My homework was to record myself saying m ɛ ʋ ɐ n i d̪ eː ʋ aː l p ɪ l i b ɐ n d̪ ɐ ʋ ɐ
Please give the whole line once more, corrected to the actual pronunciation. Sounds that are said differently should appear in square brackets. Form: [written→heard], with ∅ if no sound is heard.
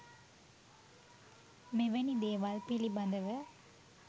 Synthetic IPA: m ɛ ʋ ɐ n i d̪ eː ʋ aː l p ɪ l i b ɐ n d̪ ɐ ʋ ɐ